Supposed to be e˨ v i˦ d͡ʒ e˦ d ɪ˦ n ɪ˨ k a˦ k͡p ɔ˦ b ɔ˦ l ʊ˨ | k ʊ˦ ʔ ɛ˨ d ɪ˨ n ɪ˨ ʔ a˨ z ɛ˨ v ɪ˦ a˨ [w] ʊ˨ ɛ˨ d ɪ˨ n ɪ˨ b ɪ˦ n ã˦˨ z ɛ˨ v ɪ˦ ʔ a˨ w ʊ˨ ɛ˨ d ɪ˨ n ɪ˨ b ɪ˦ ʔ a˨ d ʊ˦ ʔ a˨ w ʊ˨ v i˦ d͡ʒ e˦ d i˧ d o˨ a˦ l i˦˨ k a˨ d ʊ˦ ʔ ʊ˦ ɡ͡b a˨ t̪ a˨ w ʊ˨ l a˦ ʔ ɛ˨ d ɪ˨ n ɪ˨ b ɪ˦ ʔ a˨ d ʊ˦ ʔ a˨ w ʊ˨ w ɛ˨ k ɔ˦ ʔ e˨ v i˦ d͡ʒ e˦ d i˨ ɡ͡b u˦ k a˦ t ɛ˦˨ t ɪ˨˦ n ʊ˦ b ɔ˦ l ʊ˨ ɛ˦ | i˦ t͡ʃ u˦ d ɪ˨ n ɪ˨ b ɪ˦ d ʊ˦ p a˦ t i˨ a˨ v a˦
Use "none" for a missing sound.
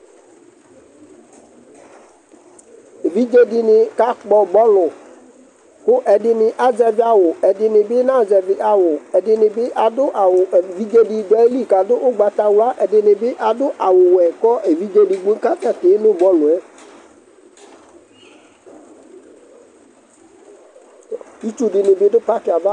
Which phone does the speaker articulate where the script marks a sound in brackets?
w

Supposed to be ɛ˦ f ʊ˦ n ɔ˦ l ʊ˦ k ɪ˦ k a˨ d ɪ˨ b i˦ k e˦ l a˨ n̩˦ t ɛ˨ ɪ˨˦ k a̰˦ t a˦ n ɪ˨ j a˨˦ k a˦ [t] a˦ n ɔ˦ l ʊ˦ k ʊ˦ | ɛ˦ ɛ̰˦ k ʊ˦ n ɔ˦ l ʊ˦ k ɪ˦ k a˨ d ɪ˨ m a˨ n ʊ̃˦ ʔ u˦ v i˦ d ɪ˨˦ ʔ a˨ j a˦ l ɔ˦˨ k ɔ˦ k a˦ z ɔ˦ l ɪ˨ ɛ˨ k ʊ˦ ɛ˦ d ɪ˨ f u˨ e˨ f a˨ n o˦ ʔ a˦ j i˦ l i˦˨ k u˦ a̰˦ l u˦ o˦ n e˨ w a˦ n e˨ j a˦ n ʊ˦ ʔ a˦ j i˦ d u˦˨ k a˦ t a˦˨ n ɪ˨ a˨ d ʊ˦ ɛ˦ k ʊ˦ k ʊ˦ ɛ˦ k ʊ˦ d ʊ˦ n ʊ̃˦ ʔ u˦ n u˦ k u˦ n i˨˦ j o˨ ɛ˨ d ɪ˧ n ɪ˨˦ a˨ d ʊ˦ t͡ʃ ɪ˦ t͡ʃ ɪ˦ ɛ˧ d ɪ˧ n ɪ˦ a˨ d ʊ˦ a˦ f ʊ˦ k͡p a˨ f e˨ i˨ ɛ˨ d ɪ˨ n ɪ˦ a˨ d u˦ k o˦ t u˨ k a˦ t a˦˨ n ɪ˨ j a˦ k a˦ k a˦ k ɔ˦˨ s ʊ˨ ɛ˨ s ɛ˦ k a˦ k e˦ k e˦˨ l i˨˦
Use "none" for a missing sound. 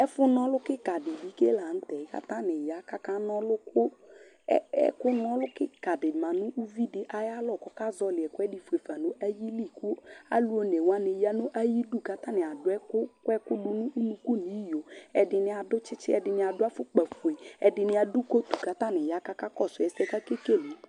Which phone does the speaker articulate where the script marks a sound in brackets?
k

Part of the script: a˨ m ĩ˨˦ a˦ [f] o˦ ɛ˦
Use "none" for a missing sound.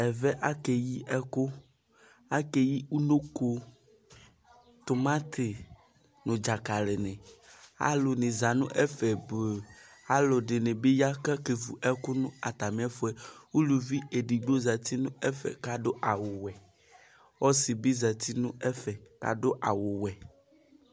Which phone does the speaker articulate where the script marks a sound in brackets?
f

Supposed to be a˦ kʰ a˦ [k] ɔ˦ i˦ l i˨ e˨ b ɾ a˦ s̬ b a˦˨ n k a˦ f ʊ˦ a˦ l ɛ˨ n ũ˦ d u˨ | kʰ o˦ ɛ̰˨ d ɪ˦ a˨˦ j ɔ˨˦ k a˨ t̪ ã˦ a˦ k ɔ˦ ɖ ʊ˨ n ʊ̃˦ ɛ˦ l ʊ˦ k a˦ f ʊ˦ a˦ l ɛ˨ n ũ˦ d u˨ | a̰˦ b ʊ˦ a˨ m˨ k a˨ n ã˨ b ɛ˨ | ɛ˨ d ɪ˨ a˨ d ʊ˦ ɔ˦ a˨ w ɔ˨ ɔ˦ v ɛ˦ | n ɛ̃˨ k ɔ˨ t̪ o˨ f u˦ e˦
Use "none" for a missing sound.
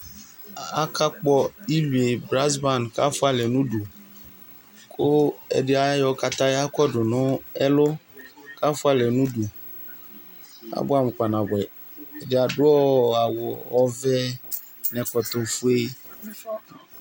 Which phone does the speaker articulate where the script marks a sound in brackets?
k͡p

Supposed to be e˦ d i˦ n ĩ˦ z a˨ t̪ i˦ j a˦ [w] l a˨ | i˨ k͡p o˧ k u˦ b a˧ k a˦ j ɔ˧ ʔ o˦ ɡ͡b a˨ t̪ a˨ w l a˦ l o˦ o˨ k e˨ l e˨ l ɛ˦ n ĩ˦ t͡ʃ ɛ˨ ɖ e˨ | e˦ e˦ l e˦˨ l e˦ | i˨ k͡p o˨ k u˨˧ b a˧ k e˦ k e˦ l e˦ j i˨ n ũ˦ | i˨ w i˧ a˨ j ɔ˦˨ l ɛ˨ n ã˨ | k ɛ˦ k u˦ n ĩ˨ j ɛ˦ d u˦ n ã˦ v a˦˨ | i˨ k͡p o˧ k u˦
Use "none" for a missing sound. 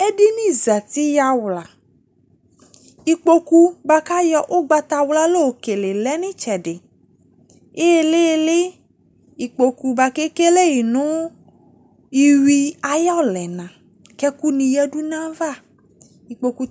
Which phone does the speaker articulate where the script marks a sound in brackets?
w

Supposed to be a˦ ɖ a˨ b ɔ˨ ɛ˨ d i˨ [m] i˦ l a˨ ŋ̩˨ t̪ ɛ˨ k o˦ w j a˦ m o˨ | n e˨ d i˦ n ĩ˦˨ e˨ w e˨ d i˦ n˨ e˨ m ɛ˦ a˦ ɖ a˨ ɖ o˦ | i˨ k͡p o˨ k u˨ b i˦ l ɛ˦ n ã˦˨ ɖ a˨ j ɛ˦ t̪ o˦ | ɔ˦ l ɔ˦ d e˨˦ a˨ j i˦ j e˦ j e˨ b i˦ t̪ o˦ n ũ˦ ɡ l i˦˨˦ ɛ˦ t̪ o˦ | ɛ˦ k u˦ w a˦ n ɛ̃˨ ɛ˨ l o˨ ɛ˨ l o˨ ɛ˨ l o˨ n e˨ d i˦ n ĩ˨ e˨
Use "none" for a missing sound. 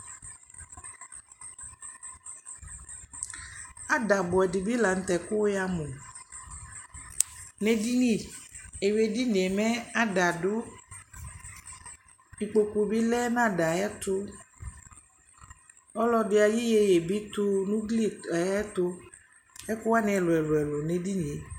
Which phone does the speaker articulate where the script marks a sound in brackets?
b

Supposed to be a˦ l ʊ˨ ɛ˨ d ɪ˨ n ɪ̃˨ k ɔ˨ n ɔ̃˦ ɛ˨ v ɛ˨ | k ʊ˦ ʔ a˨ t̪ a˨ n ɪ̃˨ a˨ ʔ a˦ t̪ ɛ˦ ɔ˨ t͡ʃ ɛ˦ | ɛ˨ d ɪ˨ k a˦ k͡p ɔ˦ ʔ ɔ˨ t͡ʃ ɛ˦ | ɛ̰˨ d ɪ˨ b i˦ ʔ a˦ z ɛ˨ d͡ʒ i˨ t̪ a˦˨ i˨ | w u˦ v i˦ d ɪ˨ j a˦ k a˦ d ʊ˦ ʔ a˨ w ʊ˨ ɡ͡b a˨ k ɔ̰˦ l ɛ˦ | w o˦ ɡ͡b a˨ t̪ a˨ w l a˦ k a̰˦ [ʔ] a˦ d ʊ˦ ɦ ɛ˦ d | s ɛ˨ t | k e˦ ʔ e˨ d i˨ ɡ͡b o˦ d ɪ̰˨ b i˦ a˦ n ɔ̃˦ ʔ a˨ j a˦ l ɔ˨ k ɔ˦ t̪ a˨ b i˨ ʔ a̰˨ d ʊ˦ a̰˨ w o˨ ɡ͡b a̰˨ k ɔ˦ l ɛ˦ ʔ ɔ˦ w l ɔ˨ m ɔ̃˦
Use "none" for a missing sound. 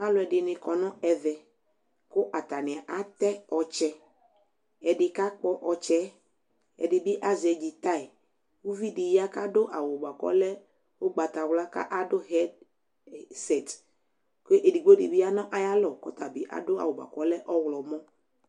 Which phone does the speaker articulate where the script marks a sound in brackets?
ʔ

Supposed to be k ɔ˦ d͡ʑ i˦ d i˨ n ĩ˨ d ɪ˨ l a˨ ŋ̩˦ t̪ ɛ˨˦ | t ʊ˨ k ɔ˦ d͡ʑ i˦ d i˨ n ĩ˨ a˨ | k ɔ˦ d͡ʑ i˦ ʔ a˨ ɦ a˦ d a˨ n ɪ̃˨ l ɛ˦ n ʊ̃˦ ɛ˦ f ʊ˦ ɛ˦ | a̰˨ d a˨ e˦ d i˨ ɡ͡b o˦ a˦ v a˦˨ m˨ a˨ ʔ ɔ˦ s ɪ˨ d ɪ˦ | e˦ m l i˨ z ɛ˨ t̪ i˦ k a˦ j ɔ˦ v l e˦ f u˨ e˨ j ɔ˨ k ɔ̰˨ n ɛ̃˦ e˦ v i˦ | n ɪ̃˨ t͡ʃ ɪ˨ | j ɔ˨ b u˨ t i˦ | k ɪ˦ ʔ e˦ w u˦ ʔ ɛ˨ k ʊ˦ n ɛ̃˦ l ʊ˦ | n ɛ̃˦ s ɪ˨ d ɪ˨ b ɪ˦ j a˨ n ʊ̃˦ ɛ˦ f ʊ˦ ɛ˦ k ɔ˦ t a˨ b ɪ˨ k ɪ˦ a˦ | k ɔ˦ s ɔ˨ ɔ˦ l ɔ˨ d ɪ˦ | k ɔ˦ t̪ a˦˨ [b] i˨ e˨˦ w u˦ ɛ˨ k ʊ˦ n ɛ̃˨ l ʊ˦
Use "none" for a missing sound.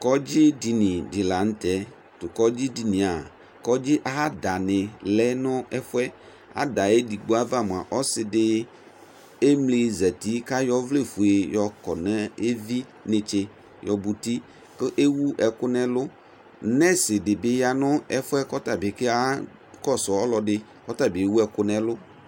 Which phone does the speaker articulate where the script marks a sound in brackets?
b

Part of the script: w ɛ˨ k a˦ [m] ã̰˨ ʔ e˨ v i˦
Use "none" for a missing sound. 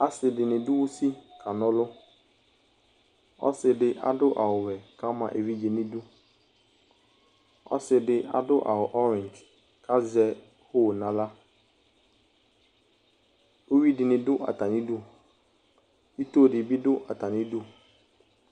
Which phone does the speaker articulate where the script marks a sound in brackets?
m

